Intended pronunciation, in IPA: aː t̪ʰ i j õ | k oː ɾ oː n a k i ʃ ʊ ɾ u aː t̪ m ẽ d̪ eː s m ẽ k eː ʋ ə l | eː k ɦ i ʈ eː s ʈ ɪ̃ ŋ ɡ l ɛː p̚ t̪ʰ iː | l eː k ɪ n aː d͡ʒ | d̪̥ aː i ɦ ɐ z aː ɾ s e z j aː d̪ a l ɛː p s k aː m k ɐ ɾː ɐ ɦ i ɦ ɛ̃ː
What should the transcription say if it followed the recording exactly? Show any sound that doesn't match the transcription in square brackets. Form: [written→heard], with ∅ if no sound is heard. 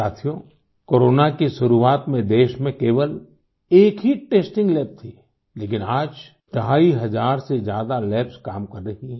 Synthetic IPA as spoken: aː t̪ʰ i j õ | k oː ɾ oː n a k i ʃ ʊ ɾ u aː t̪ m ẽ d̪ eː [s→ʃ] m ẽ k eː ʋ ə l | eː k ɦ i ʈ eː s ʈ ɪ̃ ŋ ɡ l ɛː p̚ t̪ʰ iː | l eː k ɪ n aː d͡ʒ | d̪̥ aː i ɦ ɐ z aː ɾ s e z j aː d̪ a l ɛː p s k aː m k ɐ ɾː ɐ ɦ i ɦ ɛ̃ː